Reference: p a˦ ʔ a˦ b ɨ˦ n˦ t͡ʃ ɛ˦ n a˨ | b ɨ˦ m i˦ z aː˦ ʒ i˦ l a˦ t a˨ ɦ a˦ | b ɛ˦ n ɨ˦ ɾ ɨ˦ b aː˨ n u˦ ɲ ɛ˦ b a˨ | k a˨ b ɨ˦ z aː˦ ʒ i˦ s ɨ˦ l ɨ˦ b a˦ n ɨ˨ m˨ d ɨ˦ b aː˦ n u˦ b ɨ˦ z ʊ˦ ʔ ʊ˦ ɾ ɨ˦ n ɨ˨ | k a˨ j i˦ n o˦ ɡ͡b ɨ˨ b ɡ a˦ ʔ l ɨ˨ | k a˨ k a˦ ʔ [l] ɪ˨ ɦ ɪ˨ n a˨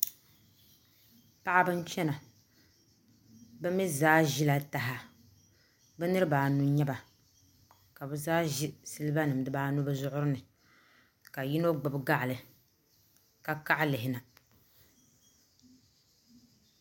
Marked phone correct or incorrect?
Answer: correct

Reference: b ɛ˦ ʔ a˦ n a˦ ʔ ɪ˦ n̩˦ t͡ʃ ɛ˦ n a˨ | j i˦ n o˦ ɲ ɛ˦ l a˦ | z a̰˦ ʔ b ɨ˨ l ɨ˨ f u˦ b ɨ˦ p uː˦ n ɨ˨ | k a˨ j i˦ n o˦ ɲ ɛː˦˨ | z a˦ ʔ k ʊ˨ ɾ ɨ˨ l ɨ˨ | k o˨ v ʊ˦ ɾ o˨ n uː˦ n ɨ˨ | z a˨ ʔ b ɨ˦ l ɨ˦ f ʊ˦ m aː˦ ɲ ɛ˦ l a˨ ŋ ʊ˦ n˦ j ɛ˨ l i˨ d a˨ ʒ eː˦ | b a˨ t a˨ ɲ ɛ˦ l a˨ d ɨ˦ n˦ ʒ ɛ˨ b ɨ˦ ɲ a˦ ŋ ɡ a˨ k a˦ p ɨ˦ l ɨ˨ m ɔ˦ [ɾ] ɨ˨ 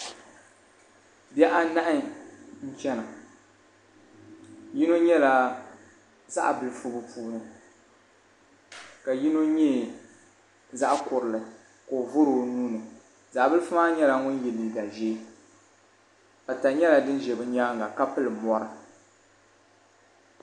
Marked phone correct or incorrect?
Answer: correct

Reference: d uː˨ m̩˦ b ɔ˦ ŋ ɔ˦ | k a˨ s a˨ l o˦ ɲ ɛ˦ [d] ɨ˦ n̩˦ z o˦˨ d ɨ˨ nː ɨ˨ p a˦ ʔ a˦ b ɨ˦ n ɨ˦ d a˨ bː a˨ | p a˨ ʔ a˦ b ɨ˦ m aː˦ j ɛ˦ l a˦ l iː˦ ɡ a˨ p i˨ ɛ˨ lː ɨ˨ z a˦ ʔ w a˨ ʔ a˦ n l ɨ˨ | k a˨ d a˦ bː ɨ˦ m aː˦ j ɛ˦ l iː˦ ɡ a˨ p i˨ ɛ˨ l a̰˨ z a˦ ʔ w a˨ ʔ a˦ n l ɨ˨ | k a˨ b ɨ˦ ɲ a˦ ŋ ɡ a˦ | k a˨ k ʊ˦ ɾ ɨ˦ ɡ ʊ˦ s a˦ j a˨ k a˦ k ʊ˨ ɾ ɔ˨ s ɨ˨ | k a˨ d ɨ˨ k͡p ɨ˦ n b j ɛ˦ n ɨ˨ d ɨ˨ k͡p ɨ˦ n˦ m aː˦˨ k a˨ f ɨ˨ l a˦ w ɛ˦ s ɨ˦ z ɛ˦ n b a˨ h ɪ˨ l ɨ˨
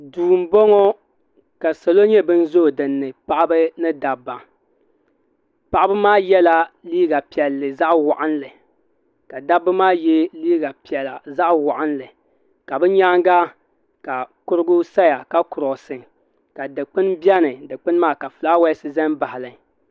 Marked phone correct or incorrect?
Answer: incorrect: b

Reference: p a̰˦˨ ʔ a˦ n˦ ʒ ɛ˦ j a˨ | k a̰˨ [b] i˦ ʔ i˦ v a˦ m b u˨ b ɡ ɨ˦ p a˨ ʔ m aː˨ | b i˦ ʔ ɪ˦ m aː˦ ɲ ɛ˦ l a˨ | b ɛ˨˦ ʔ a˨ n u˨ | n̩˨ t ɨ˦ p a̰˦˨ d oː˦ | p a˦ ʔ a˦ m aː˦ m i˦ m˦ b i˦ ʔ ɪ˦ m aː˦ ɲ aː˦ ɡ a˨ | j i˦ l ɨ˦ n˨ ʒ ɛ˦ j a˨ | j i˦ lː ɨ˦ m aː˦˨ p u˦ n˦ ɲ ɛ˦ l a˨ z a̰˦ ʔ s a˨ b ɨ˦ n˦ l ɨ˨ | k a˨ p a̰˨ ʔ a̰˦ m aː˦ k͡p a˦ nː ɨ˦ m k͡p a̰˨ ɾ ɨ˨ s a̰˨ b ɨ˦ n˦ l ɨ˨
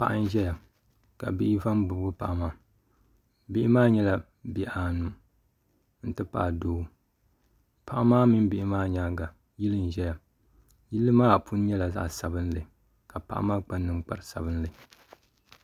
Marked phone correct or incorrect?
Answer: correct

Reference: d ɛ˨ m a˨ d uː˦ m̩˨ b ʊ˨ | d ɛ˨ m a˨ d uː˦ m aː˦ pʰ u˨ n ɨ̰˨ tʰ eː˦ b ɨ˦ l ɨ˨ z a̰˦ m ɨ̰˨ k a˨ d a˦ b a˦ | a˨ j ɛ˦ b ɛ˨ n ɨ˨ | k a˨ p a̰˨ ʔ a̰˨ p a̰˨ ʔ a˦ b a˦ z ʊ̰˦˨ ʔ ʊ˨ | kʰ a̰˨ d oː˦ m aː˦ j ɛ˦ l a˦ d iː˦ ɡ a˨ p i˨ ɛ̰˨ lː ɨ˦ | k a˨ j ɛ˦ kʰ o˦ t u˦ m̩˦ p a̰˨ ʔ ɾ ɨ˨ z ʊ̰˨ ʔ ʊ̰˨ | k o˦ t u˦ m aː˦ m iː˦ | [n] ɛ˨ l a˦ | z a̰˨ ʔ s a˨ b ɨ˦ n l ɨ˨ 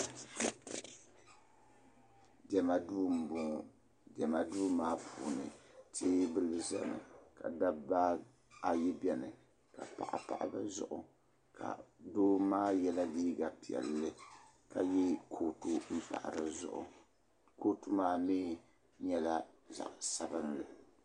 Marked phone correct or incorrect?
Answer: incorrect: ɲ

